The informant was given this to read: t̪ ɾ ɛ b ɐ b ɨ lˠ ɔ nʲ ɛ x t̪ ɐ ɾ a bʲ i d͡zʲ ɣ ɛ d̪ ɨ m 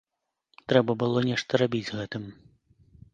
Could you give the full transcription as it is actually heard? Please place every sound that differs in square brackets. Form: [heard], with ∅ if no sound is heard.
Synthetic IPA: t̪ ɾ ɛ b ɐ b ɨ lˠ ɔ nʲ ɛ [ʂ] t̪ ɐ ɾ a bʲ i d͡zʲ ɣ ɛ [t̪] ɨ m